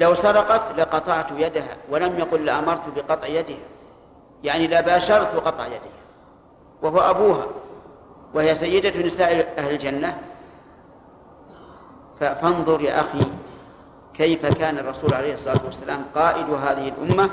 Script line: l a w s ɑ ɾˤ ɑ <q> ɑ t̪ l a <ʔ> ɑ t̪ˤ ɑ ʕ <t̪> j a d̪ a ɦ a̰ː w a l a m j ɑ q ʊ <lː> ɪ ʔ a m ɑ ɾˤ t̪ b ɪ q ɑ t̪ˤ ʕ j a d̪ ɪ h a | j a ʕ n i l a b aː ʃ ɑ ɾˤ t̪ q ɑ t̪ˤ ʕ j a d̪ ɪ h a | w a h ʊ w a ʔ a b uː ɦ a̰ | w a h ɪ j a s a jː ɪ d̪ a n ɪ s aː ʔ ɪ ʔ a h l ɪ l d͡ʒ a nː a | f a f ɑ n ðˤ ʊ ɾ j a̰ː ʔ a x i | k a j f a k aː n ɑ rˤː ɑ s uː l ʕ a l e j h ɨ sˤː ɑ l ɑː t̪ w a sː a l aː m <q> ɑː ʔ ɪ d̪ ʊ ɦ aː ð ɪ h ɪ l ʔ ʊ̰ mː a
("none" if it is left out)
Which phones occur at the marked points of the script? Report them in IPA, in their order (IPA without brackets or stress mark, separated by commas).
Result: q, q, t̪, lː, q